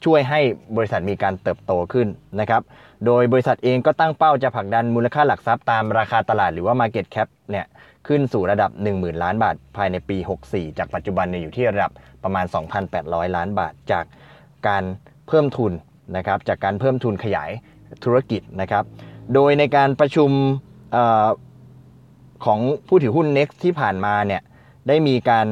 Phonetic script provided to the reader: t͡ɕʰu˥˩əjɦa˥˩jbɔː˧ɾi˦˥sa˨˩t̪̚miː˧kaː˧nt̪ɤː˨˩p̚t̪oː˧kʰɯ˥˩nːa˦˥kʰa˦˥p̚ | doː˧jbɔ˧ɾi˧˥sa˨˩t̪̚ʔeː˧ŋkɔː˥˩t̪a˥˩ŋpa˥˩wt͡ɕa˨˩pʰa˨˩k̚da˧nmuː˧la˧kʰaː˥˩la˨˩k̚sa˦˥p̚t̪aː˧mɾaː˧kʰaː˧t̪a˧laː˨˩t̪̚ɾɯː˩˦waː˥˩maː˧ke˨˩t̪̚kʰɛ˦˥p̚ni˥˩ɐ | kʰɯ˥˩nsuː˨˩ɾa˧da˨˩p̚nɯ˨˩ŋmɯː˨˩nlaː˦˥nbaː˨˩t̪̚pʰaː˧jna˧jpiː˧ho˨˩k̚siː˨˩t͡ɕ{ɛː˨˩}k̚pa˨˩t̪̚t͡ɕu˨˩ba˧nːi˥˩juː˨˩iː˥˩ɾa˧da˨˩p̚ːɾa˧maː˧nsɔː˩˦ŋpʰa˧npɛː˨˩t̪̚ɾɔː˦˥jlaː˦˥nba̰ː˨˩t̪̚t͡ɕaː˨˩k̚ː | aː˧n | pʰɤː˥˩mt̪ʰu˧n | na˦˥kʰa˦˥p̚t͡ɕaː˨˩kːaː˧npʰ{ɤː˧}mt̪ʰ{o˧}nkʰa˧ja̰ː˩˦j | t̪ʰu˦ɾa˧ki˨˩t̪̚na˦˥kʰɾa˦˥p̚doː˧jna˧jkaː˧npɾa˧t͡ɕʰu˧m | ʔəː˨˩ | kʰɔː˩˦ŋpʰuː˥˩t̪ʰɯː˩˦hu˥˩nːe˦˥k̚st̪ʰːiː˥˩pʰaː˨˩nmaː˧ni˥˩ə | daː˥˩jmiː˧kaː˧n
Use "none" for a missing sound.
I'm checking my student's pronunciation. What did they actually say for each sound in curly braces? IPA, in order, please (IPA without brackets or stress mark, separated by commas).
aː˨˩, ɤː˥˩, u˧